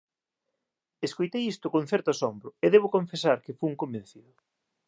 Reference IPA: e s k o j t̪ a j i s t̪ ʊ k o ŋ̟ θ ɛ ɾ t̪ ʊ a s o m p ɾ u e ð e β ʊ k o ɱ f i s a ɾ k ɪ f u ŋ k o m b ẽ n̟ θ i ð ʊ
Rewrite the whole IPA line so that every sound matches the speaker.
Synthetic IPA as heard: e s k o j t̪ e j i s t̪ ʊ k o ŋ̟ θ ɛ ɾ t̪ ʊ a s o m b ɾ ʊ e ð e β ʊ k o ɱ f e s a ɾ k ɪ f u ŋ k o m b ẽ n̟ θ i ð ʊ